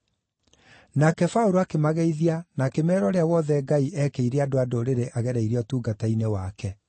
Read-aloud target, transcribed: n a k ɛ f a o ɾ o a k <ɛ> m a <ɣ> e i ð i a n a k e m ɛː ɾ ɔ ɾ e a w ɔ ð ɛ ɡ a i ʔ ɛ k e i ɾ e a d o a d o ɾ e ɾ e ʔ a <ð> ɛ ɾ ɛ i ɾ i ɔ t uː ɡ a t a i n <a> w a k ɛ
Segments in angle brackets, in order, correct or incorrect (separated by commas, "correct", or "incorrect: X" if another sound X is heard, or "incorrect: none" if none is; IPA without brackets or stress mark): incorrect: e, correct, incorrect: ɣ, incorrect: e